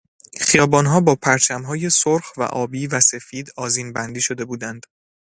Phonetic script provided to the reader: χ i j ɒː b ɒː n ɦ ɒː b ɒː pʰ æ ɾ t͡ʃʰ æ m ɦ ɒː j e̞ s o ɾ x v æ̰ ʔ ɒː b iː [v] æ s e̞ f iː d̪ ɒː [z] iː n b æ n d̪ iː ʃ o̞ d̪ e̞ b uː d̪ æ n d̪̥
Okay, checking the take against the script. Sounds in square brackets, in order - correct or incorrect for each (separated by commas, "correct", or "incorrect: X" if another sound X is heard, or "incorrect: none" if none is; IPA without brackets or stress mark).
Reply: correct, correct